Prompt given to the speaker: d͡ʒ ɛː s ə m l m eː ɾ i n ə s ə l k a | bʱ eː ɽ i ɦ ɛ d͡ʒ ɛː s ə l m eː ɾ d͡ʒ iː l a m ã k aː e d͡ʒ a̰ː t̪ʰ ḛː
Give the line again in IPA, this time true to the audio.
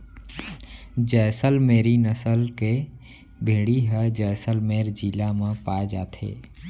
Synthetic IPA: d͡ʒ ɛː s ə l m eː ɾ i n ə s ə l k e | bʱ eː ɽ i ɦ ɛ d͡ʒ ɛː s ə l m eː ɾ d͡ʒ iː l a m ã p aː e d͡ʒ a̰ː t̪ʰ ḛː

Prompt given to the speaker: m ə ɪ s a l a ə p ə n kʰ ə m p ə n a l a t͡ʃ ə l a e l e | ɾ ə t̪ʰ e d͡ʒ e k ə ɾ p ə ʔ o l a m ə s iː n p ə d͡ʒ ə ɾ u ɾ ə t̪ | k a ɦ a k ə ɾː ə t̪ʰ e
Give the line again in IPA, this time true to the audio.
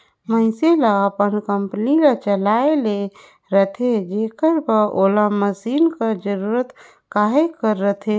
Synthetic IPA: m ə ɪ s e l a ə p ə n k ə m p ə n i l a t͡ʃ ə l a e l e | ɾ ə t̪ʰ e d͡ʒ e k ə ɾ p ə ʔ o l a m ə s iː n k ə d͡ʒ ə ɾ u ɾ ə t̪ | k a ɦ e k ə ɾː ə t̪ʰ e

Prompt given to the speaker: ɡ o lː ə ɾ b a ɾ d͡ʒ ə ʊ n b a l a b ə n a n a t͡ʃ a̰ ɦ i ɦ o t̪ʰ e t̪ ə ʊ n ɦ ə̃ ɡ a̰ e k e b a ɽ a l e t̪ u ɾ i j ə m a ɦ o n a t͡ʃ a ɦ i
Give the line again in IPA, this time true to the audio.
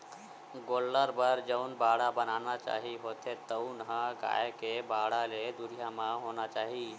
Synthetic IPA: ɡ o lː ə ɾ b ə ɾ d͡ʒ ə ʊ n b a ɽ a b ə n a n a t͡ʃ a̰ ɦ i ɦ o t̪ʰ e t̪ ə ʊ n ɦ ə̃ ɡ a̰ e k e b a ɽ a l e d̪ u ɾ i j a m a ɦ o n a t͡ʃ a ɦ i

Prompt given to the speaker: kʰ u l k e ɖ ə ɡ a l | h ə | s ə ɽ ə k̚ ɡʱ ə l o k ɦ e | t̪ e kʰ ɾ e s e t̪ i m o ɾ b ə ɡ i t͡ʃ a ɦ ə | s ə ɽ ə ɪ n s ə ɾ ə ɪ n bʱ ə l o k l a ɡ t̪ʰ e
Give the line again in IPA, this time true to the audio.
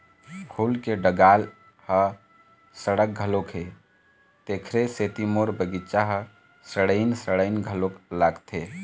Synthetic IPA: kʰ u l k e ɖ ə ɡ a l | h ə | s ə ɽ ə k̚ ɡʱ ə l o k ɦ e | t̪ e kʰ ɾ e s e t̪ i m o ɾ b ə ɡ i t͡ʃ a ɦ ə | s ə ɽ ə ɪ n s ə ɽ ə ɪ n ɡʱ ə l o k l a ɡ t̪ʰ e

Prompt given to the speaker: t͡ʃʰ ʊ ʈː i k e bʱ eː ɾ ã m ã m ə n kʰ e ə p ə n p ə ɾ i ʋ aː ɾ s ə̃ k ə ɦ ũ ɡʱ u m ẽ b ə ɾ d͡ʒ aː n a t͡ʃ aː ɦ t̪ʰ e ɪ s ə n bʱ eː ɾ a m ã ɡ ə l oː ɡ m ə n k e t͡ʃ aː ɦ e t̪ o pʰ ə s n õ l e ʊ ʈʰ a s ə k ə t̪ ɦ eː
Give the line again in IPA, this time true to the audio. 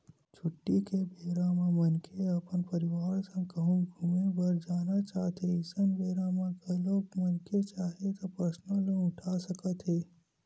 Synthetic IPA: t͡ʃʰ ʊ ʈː i k e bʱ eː ɾ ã m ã m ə n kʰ e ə p ə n p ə ɾ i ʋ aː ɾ s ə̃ k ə ɦ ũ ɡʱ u m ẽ b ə ɾ d͡ʒ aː n a t͡ʃ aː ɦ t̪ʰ e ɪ s ə n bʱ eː ɾ a m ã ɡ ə l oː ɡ m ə n k e t͡ʃ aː ɦ e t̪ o p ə s n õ l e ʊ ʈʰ a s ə k ə t̪ ɦ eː

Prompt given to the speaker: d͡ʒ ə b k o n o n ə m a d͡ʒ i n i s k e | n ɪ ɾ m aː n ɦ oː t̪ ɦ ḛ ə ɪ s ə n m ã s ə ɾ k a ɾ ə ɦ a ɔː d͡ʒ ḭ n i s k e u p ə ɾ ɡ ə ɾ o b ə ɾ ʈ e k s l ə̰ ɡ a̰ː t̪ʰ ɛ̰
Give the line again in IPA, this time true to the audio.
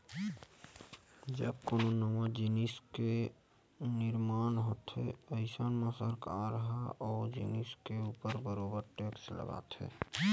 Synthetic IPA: d͡ʒ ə b k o n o n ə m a d͡ʒ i n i s k e | n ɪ ɾ m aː n ɦ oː t̪ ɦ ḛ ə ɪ s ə n m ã s ə ɾ k a ɾ ə ɦ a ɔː d͡ʒ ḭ n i s k e u p ə ɾ b ə ɾ o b ə ɾ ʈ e k s l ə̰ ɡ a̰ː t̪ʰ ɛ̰

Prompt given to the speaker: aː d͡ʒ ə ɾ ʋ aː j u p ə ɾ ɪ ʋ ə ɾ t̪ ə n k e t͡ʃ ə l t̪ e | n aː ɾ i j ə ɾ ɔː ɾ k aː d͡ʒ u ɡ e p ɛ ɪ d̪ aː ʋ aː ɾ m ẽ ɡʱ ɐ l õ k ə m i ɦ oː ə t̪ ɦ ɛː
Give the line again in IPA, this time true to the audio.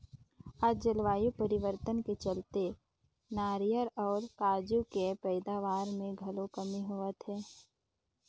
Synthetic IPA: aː d͡ʒ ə l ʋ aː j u p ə ɾ ɪ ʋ ə ɾ t̪ ə n k e t͡ʃ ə l t̪ e | n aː ɾ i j ə ɾ ɔː ɾ k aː d͡ʒ u k e p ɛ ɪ d̪ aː ʋ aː ɾ m ẽ ɡʱ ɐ l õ k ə m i ɦ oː ə t̪ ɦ ɛː

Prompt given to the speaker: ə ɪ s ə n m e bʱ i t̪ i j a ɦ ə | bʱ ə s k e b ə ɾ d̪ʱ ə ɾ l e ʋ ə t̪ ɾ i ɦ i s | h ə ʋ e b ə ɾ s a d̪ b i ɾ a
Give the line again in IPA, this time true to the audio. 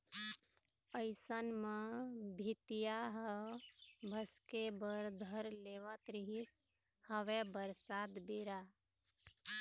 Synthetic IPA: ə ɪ s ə n m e bʱ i t̪ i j a ɦ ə | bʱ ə s k e b ə ɾ d̪ʱ ə ɾ l e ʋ ə t̪ ɾ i ɦ i s | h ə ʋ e b ə ɾ s a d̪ b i ɾ a

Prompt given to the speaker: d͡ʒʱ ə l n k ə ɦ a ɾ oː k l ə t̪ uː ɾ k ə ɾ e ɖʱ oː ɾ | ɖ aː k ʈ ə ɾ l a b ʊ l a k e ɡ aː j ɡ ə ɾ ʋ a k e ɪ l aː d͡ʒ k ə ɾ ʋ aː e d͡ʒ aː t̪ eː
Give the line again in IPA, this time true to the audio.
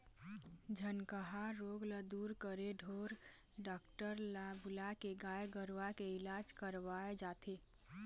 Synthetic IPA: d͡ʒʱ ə n k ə ɦ a ɾ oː ɡ l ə d̪ uː ɾ k ə ɾ e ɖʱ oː ɾ | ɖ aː k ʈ ə ɾ l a b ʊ l a k e ɡ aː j ɡ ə ɾ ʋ a k e ɪ l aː d͡ʒ k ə ɾ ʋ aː e d͡ʒ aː t̪ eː

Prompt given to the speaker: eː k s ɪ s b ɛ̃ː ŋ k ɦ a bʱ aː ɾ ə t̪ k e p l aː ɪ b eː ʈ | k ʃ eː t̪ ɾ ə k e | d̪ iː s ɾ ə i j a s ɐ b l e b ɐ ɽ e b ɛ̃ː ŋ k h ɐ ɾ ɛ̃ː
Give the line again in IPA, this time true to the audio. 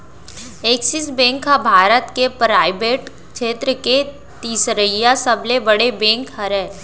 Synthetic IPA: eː k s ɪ s b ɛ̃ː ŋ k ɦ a bʱ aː ɾ ə t̪ k e p ɾ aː ɪ b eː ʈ | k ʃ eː t̪ ɾ ə k e | t̪ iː s ɾ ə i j a s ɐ b l e b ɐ ɽ e b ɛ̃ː ŋ k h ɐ ɾ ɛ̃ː

